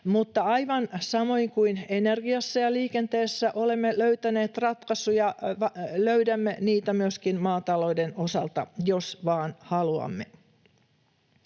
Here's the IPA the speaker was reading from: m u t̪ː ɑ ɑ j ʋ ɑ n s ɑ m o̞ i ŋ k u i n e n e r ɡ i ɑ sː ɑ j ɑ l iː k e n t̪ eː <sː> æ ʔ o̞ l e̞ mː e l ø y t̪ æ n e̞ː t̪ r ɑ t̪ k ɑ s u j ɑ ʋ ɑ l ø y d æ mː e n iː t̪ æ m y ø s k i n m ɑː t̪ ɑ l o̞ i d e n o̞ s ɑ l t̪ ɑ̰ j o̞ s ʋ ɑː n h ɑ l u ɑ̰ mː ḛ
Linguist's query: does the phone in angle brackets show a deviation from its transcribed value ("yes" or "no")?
no